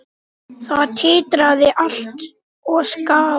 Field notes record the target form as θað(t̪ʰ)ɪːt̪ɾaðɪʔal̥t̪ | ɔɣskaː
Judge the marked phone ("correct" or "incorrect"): correct